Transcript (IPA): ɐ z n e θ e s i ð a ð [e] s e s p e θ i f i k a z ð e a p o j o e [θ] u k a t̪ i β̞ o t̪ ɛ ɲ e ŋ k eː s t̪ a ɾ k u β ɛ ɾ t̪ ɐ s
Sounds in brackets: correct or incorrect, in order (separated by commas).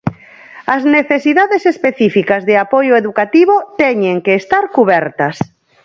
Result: correct, incorrect